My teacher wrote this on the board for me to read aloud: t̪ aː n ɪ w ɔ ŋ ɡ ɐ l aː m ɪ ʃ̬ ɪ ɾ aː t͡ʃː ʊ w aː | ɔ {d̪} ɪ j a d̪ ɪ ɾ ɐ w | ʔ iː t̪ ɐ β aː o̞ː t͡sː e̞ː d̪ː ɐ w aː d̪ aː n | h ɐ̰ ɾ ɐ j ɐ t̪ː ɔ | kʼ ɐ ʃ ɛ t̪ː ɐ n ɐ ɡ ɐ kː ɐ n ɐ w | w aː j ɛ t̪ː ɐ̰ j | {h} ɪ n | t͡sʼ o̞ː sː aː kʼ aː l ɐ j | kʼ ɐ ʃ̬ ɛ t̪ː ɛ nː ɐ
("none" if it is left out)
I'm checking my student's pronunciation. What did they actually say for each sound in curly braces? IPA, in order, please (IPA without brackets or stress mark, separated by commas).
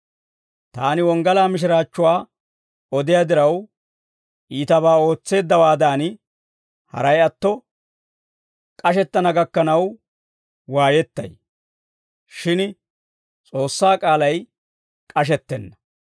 d̪, ʃ